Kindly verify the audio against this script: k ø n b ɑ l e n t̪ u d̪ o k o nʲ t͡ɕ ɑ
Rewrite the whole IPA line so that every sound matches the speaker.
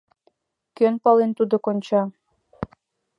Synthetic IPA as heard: k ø n p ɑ l e n t̪ u d̪ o k o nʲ t͡ɕ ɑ

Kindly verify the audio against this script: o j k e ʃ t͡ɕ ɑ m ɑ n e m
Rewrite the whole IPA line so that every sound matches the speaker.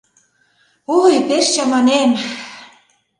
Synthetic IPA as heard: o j p e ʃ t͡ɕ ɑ m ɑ n e m

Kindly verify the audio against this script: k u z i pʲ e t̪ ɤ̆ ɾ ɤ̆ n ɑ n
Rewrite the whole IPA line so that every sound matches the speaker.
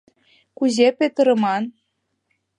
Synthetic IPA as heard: k u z e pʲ e t̪ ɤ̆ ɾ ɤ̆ m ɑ n

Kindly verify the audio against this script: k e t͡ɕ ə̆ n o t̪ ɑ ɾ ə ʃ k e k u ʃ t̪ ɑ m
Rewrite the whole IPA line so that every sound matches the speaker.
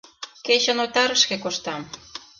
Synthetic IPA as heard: k e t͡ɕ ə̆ n o t̪ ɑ ɾ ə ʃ k e k o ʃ t̪ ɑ m

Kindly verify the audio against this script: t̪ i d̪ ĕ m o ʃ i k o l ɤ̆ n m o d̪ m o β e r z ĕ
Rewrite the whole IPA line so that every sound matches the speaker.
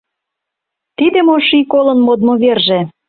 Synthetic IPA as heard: t̪ i d̪ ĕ m o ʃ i k o l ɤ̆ n m o d̪ m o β e r ʒ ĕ

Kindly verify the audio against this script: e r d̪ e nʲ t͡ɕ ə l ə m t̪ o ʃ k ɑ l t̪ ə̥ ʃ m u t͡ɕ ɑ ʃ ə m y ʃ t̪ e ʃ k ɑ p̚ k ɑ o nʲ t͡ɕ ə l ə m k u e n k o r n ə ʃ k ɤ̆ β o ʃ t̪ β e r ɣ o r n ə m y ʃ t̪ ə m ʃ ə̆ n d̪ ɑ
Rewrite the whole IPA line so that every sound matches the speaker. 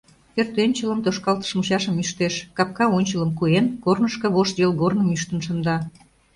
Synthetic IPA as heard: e r t̪ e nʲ t͡ɕ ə l ə m t̪ o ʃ k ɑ l t̪ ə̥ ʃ m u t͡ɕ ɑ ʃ ə m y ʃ t̪ e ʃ k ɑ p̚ k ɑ o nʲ t͡ɕ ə l ə m k u e n k o r n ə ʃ k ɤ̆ β o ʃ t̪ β e l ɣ o r n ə m y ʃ t̪ ə n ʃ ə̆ n d̪ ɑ

